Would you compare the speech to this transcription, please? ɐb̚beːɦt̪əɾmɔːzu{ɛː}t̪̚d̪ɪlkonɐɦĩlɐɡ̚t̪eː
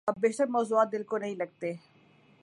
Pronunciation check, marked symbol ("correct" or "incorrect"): incorrect